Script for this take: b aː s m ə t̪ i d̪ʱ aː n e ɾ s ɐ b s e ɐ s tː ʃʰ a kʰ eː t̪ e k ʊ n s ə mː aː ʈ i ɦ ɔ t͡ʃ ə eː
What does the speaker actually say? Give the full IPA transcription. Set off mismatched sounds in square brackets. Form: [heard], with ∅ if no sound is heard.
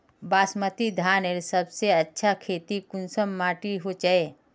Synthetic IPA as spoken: b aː s m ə t̪ i d̪ʱ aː n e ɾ s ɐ b s e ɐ [∅] tː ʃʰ a kʰ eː t̪ [i] k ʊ n s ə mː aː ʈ i ɦ [o] t͡ʃ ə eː